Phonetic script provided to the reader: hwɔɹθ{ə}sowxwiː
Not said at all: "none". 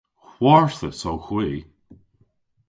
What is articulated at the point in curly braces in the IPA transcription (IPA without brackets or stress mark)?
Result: ə